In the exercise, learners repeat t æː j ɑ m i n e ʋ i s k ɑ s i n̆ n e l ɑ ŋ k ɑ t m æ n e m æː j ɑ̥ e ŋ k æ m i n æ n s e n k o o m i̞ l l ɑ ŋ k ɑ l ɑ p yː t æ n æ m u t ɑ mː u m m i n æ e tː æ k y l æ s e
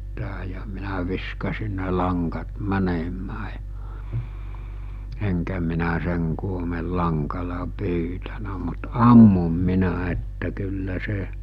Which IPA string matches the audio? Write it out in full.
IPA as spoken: t æː j ɑ m i n æ ʋ i s k ɑ s i n̆ n e l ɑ ŋ k ɑ t m æ n e m æː j ɑ̥ e ŋ k æ m i n æ s e ŋ k u o m i̞ l l ɑ ŋ k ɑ l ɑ p yː t æ n æ m u t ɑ mː u m m i n æ e tː æ k y lː æ s e